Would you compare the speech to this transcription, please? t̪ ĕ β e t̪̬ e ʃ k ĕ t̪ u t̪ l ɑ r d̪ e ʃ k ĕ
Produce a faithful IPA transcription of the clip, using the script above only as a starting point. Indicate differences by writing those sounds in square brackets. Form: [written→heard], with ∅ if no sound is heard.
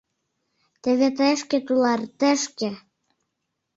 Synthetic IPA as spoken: t̪ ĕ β e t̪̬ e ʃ k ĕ t̪ u [t̪→∅] l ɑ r [d̪→t̪] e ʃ k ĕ